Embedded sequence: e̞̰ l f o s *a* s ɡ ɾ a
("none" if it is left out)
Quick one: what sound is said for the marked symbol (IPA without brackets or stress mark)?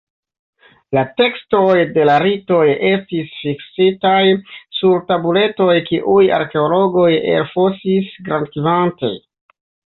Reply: i